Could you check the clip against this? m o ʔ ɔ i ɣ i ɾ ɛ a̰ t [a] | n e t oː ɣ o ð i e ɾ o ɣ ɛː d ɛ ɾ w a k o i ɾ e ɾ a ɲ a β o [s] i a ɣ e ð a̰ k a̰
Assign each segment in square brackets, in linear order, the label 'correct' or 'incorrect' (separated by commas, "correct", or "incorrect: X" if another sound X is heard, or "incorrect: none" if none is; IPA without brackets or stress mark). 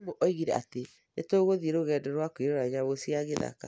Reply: incorrect: e, correct